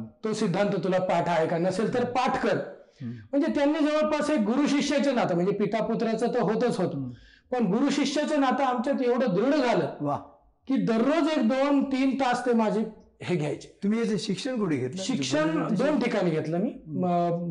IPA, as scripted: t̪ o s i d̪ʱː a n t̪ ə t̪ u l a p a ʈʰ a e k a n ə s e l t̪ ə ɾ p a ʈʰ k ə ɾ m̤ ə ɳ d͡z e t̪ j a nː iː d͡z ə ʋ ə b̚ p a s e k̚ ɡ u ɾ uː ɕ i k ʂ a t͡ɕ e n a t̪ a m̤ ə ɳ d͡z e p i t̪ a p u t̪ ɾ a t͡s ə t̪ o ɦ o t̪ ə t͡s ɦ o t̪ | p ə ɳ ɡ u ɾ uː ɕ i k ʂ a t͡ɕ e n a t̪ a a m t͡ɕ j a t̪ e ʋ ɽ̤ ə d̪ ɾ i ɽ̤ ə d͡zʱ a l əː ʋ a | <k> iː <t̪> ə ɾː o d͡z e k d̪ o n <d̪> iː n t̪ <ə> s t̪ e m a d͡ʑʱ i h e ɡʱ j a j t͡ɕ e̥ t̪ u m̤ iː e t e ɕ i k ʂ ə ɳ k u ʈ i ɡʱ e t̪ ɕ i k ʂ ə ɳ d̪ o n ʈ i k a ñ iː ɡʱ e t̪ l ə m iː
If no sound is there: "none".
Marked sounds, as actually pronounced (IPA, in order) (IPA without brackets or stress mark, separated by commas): k, d̪, t̪, a